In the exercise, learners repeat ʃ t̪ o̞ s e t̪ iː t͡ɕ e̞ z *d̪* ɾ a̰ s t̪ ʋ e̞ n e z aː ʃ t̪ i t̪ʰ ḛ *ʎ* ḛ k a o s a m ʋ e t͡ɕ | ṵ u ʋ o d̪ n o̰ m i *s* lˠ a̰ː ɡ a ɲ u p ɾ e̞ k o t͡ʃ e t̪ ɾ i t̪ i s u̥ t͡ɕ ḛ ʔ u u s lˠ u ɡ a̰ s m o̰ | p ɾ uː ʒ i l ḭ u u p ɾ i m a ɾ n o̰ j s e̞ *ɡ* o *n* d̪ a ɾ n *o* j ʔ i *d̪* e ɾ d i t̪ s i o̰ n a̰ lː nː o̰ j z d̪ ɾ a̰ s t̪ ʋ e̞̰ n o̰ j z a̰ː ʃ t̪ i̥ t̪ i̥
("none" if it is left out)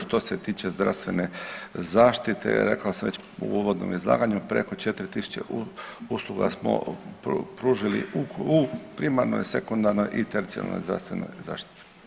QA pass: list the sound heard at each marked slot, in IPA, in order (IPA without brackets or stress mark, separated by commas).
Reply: d̪, ɾ, z, k, n, o, t̪